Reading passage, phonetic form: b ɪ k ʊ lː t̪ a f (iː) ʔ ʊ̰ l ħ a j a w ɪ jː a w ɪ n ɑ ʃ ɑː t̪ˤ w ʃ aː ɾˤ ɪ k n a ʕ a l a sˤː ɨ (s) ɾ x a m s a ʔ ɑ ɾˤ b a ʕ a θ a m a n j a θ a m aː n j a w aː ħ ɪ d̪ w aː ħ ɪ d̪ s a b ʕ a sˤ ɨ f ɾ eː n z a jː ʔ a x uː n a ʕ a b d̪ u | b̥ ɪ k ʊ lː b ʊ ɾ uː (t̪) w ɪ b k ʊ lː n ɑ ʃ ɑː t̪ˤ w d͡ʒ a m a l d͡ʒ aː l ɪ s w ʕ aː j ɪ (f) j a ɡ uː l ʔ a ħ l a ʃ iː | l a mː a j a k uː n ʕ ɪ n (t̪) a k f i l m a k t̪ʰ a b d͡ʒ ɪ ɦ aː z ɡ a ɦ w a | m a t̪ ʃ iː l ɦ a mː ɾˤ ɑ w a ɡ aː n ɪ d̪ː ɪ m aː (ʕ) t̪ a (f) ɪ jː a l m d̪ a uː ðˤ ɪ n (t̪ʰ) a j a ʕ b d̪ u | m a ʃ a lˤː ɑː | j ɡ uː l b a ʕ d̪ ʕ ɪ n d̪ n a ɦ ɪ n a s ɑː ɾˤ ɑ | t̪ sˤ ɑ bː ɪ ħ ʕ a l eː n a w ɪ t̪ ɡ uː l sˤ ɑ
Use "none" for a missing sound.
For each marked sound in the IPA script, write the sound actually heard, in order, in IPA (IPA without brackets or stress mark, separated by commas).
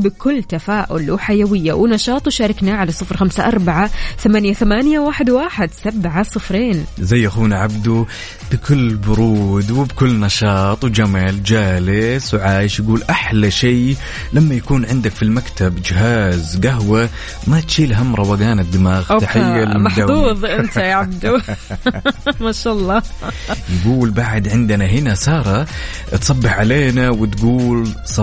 aː, f, d̪, ʃ, d̪, ɣ, ħ, t̪